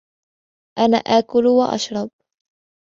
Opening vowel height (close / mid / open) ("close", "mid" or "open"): open